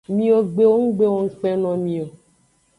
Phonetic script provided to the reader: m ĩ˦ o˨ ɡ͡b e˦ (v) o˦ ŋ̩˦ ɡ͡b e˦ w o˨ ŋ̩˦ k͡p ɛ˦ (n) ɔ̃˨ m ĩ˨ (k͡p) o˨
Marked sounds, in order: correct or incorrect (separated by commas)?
incorrect, correct, incorrect